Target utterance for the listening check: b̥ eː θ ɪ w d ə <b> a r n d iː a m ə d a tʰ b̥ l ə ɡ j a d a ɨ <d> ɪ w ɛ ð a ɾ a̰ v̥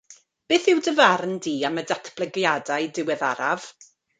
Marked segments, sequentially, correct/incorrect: incorrect, correct

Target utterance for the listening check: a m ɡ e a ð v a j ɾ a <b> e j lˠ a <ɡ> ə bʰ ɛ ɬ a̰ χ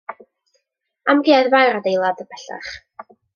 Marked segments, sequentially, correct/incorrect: incorrect, incorrect

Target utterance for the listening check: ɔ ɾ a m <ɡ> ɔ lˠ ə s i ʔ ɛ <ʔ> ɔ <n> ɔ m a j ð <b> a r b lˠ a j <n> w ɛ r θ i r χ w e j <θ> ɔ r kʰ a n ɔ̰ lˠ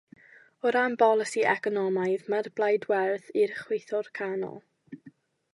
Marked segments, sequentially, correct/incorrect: incorrect, incorrect, correct, incorrect, incorrect, correct

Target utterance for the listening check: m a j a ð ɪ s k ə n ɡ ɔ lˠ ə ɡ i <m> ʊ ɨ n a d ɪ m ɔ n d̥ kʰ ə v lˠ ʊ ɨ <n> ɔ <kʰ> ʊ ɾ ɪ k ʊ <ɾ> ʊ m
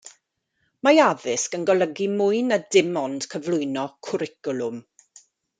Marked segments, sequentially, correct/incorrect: correct, correct, correct, incorrect

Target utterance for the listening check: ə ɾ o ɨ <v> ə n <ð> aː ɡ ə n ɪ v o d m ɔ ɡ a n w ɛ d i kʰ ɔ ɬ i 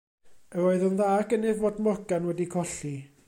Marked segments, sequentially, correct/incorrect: incorrect, correct

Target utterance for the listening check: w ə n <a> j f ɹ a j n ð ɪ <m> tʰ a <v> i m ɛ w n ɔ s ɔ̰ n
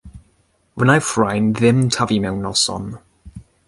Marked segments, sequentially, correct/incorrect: correct, correct, correct

